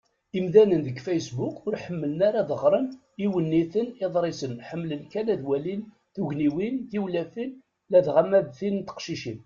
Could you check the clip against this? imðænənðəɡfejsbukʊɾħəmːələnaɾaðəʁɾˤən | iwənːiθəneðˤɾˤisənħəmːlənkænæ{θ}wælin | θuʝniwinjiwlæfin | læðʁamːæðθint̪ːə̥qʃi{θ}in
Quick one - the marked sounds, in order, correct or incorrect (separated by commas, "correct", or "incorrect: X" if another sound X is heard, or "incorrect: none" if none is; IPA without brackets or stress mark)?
incorrect: ð, incorrect: ʃ